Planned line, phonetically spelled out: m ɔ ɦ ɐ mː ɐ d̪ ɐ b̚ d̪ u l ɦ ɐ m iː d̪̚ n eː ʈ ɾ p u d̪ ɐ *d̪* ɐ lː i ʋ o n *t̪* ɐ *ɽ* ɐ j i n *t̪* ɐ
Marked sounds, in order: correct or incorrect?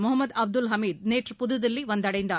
correct, incorrect: d̪, correct, incorrect: d̪

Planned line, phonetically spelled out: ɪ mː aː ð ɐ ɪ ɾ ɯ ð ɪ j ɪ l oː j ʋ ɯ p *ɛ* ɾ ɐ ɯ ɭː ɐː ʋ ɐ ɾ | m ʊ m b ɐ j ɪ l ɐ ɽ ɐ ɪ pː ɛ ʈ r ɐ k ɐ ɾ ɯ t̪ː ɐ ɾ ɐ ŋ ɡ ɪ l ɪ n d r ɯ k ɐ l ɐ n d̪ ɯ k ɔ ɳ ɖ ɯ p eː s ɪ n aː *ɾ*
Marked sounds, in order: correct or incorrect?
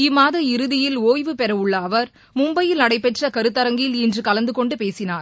correct, correct

